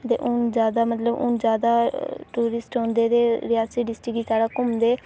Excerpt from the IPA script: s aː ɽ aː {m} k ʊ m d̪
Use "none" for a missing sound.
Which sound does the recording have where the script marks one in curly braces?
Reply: none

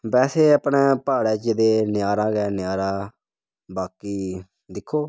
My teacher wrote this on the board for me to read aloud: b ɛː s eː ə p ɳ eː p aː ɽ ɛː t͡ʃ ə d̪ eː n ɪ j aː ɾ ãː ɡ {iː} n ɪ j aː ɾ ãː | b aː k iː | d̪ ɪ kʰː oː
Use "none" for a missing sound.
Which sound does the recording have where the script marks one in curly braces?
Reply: ɛː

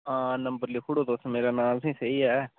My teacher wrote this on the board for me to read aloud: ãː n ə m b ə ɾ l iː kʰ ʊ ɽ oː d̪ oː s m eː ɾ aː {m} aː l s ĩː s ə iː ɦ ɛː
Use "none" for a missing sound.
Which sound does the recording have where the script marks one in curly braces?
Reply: n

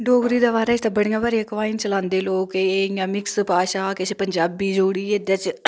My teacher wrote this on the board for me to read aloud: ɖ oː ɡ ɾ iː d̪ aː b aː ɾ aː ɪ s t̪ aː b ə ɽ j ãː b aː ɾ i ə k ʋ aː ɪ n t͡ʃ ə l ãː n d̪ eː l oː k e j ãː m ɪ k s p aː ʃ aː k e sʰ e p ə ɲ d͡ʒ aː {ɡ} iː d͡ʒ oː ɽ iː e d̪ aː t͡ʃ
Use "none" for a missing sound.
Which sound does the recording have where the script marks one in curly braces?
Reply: b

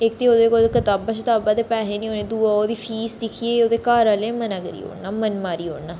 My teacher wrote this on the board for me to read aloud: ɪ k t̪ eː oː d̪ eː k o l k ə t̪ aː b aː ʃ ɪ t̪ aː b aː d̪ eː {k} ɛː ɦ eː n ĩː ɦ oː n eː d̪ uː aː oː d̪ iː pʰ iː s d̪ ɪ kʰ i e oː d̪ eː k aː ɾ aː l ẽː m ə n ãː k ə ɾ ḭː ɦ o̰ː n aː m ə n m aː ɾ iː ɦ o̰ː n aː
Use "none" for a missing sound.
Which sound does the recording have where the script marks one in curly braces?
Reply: p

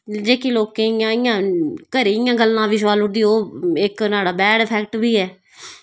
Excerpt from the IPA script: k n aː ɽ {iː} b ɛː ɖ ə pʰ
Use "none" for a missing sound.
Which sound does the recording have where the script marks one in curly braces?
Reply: aː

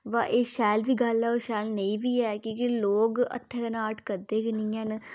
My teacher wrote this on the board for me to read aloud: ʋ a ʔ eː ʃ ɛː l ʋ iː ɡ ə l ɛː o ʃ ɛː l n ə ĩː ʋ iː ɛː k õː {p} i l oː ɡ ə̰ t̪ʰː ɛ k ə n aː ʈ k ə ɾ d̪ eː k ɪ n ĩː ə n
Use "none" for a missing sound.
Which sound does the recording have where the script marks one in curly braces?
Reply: k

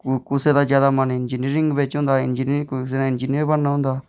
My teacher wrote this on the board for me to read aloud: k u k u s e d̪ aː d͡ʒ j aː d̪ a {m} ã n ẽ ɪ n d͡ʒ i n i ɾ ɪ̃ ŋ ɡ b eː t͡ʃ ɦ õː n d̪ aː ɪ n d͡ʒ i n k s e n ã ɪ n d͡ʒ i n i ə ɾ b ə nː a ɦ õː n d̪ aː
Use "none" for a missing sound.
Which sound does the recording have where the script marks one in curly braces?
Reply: m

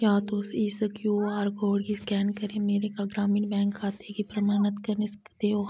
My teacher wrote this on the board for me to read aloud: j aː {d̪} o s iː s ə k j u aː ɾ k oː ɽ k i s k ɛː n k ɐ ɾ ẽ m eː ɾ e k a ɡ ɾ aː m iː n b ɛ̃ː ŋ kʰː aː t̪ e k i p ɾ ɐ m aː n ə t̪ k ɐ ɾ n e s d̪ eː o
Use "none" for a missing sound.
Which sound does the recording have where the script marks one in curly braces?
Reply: t̪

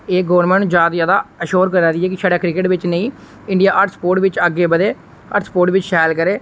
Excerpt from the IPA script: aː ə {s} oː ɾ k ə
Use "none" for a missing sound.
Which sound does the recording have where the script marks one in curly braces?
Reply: ʃ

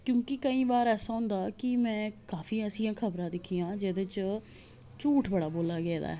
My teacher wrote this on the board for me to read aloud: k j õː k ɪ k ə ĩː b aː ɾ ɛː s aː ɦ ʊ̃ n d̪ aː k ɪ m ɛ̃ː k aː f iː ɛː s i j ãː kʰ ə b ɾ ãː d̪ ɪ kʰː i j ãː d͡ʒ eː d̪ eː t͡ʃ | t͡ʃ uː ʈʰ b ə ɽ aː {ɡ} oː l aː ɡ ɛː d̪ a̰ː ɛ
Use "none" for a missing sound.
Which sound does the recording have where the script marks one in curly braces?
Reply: b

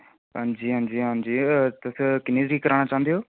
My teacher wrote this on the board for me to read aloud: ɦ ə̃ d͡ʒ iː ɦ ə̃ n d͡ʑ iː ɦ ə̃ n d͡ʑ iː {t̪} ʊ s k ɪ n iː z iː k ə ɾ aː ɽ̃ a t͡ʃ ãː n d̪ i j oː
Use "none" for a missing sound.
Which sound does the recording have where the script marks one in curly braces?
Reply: t̪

